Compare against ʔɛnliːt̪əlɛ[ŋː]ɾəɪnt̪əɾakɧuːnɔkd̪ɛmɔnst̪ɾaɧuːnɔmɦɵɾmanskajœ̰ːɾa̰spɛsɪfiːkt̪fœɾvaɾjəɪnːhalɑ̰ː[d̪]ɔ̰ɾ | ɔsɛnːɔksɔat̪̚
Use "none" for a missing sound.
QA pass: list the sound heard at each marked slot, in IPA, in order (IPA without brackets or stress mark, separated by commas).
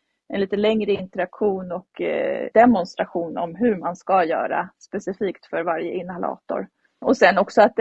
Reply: ŋ, t̪